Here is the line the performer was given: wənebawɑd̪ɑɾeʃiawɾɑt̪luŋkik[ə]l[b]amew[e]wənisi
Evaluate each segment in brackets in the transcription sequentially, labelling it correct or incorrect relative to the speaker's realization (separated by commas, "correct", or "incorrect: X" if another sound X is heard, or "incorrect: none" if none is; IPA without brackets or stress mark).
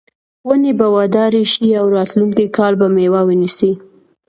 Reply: incorrect: ɑ, correct, incorrect: a